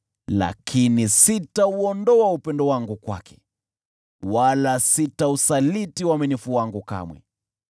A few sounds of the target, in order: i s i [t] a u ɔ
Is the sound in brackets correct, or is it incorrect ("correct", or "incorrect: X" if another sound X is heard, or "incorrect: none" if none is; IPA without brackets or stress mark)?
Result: correct